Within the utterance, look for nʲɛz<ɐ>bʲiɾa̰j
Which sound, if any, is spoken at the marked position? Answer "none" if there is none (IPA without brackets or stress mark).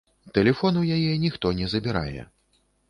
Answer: ɐ